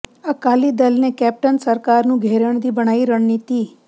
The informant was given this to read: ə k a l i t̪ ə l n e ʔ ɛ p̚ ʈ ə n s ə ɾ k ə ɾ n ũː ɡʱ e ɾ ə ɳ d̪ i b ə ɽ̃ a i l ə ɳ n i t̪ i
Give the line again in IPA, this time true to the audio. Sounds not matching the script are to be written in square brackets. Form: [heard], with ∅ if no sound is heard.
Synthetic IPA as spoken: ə k a l i [d̪] ə l n e [k] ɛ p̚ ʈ ə n s ə ɾ k [a] ɾ n [ũ] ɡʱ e ɾ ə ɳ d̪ i b ə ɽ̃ a i [ɾ] ə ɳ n i t̪ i